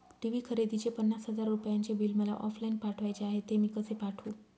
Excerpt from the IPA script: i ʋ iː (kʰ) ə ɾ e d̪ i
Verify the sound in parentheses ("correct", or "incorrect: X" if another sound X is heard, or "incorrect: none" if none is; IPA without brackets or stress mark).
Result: correct